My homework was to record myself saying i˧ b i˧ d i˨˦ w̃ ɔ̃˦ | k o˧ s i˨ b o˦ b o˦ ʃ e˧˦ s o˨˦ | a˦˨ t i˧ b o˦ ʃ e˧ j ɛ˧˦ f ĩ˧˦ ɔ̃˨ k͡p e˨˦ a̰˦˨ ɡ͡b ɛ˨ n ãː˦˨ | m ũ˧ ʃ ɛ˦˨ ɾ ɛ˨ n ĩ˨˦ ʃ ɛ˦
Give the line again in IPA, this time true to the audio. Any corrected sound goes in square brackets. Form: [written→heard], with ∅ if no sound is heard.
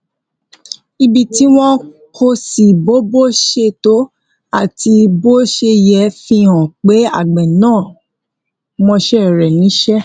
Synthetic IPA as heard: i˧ b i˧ [d→t] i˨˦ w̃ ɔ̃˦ | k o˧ s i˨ b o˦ b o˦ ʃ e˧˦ [s→t] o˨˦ | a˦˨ t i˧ b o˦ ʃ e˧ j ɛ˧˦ f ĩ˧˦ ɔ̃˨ k͡p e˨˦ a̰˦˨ ɡ͡b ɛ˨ n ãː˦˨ | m [ũ˧→ɔ̃˧] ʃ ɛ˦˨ ɾ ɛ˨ n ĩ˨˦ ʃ ɛ˦